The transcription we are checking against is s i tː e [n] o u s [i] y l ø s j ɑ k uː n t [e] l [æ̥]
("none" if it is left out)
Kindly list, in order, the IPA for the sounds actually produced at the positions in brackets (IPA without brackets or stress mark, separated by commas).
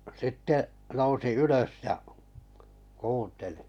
n, i, e, i̥